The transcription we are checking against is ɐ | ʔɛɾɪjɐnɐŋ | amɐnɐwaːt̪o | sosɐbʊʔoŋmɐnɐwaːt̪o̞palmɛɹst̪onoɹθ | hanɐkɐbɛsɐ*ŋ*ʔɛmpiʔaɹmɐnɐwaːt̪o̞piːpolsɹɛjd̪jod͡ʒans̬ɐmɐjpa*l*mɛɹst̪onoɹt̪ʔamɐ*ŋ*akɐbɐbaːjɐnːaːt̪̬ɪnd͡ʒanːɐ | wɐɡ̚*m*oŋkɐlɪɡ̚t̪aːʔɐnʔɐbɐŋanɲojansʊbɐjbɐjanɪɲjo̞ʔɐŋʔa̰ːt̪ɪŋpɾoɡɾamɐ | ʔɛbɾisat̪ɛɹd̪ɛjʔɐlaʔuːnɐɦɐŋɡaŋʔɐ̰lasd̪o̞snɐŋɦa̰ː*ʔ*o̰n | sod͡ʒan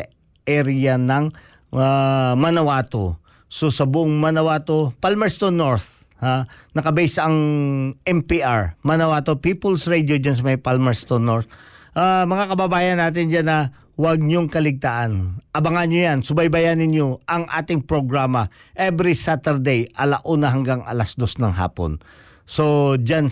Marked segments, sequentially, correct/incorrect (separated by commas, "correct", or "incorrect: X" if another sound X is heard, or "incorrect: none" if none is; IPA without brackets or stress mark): correct, correct, correct, incorrect: ɲ, incorrect: p